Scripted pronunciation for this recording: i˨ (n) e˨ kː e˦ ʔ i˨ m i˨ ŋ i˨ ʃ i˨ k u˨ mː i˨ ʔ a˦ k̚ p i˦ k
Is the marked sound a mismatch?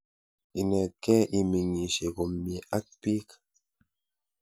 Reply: no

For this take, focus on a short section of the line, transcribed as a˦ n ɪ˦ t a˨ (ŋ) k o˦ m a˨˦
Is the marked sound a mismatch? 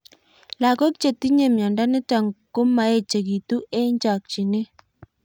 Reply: no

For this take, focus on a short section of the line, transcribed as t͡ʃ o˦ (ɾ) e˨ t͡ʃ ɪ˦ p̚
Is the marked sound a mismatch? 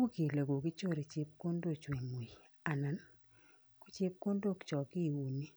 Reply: no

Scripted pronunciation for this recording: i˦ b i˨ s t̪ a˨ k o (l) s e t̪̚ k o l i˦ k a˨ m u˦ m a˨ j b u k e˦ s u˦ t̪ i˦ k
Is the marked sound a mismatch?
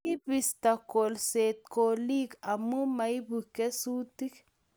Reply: no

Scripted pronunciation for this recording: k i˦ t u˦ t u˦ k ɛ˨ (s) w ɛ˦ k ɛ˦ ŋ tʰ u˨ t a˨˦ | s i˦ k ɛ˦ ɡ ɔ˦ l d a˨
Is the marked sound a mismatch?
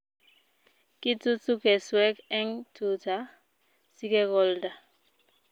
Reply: no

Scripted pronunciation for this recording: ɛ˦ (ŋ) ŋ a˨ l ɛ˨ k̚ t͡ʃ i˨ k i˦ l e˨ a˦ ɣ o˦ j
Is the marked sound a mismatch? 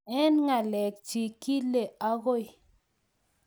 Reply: yes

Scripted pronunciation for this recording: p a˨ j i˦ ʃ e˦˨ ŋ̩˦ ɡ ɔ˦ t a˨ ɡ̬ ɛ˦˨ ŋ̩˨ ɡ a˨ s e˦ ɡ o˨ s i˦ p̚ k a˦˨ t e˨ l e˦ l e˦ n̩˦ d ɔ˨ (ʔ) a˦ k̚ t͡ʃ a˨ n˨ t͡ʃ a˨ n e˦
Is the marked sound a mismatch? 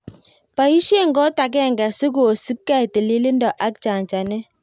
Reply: no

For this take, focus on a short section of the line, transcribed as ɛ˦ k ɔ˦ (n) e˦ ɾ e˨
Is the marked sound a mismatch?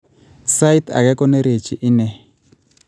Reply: no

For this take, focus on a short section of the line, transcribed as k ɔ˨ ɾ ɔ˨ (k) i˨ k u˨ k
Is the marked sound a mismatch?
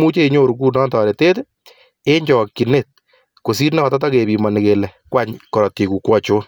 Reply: yes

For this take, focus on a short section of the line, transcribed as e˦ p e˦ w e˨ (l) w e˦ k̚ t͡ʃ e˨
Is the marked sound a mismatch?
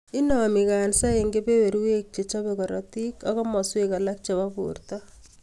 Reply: yes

